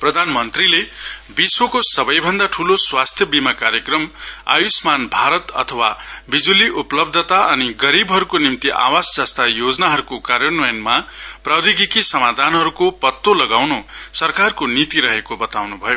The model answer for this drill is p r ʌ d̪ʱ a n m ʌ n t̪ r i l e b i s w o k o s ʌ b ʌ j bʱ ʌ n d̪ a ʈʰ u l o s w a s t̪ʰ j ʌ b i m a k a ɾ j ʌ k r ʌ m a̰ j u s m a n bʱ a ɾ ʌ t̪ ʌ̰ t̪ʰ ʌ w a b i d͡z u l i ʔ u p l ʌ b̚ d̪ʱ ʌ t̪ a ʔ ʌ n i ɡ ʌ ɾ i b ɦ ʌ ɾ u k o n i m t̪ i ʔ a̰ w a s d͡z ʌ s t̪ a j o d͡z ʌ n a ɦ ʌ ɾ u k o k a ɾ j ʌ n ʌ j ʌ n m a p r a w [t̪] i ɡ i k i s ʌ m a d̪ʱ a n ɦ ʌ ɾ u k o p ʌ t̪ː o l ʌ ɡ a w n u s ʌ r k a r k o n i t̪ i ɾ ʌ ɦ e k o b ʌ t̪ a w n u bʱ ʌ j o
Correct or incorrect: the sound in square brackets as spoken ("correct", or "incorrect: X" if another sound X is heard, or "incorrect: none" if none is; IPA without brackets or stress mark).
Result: incorrect: d̪